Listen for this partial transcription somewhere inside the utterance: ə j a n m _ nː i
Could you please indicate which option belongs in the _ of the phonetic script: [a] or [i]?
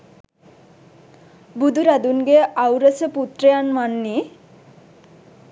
a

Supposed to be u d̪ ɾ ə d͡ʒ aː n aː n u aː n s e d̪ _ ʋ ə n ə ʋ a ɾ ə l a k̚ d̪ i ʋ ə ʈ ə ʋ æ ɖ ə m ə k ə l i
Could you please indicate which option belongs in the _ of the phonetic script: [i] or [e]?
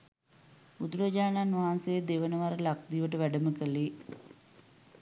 e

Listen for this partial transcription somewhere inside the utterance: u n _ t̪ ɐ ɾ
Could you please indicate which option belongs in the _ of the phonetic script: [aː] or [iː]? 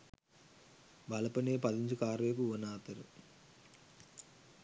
aː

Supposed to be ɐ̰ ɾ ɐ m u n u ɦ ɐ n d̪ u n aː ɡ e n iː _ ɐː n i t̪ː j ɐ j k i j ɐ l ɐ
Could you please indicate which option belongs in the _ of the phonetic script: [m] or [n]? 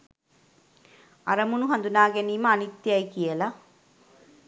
m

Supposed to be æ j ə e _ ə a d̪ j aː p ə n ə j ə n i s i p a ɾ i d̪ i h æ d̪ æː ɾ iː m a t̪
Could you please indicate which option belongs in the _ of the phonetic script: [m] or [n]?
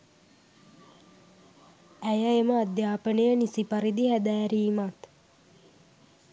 m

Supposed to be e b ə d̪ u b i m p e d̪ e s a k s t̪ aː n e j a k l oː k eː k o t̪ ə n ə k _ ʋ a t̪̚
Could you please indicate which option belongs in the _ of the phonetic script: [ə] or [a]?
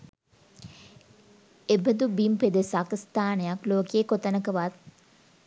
ə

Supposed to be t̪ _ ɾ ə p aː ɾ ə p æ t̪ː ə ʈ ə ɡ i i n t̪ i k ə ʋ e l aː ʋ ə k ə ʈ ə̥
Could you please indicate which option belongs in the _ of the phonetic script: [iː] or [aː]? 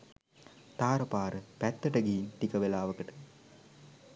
aː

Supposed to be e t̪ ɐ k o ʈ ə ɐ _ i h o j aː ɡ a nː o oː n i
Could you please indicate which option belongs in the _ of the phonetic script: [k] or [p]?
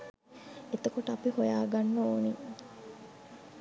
p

